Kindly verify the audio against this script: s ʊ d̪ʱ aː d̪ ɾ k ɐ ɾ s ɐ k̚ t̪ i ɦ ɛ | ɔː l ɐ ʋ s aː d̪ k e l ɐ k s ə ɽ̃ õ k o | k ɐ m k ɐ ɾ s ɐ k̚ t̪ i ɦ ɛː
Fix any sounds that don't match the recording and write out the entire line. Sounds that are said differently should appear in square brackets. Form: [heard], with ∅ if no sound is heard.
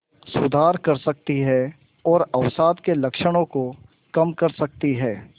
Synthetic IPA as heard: s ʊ d̪ʱ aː [∅] ɾ k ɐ ɾ s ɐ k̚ t̪ i ɦ ɛ | ɔː [ɾ] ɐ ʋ s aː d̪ k e l ɐ k [ʃ] ə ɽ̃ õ k o | k ɐ m k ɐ ɾ s ɐ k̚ t̪ i ɦ ɛː

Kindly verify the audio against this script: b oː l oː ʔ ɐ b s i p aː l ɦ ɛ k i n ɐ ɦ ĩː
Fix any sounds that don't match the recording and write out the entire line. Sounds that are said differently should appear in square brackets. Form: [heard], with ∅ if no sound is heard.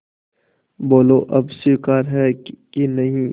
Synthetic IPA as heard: b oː l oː ʔ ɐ b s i [k] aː [ɾ] ɦ ɛ k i n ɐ ɦ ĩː

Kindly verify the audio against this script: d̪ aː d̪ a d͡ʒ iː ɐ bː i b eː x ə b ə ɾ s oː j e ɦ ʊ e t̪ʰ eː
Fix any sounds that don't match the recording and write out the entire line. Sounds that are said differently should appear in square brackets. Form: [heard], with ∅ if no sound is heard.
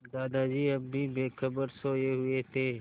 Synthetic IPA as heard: d̪ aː d̪ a d͡ʒ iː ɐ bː i b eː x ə b ə ɾ s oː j e ɦ ʊ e t̪ʰ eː

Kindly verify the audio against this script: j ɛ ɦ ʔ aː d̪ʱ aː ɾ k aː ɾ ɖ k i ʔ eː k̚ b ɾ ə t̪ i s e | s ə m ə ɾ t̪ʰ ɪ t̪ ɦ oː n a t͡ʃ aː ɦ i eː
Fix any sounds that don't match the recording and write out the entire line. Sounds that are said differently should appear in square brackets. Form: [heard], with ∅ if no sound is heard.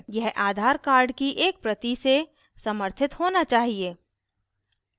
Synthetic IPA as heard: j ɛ ɦ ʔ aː d̪ʱ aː ɾ k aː ɾ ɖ k i ʔ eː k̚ [p] ɾ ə t̪ i s e | s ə m ə ɾ t̪ʰ ɪ t̪ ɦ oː n a t͡ʃ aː ɦ i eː

